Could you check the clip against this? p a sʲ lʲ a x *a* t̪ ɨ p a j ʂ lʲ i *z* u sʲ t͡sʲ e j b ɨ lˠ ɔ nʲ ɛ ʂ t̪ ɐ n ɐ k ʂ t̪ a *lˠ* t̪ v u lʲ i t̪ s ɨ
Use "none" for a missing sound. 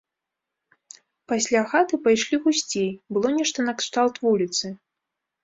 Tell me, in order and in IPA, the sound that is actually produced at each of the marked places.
a, ɣ, lˠ

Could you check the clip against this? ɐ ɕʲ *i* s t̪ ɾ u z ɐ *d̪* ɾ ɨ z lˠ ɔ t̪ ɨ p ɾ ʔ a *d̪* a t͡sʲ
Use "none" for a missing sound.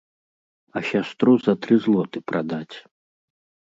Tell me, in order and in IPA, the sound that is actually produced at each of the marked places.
a, t̪, d̪

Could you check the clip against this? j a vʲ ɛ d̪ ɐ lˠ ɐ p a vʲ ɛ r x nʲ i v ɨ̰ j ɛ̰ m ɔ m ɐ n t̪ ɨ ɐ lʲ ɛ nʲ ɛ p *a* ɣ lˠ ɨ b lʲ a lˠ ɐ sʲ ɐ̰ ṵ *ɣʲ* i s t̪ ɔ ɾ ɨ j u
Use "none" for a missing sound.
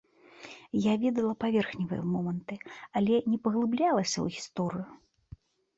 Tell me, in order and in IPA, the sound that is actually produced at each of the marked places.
ɐ, ɣʲ

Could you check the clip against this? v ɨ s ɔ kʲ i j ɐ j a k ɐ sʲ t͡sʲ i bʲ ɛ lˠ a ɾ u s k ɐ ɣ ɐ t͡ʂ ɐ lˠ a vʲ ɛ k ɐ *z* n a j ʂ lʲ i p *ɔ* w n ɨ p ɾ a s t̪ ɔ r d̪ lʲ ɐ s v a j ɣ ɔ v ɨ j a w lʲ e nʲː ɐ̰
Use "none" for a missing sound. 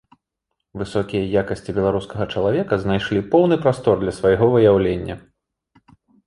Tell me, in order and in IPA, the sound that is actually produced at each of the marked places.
z, ɔ

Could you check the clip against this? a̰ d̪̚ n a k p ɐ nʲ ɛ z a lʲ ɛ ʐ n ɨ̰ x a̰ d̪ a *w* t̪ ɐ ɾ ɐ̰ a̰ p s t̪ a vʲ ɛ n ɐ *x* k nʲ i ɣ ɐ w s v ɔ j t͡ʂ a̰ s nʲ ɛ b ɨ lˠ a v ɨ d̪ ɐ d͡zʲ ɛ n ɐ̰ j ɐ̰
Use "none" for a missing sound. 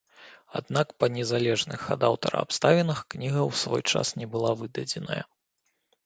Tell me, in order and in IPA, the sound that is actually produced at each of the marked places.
w, x

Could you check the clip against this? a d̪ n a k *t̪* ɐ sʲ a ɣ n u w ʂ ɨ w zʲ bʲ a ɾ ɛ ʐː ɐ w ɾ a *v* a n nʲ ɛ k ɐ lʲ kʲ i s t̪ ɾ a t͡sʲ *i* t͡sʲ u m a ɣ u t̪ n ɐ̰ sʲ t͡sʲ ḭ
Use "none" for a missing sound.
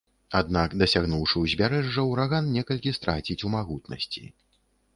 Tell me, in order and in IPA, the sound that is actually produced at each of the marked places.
d̪, ɣ, i

